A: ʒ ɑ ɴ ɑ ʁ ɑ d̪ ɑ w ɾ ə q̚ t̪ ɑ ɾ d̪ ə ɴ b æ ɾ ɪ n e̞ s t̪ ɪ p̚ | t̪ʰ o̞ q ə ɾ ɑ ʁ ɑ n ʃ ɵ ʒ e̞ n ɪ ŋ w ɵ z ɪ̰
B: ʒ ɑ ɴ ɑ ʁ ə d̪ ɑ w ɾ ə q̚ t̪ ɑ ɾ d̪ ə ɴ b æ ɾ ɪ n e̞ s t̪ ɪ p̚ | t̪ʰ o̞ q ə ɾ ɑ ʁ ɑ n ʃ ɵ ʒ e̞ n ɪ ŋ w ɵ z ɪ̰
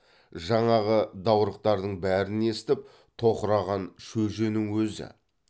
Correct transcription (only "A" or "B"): B